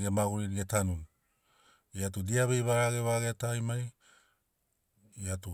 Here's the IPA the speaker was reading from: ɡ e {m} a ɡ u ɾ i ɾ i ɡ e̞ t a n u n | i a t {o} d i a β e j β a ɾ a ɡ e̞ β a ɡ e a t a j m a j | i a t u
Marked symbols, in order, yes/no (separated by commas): yes, no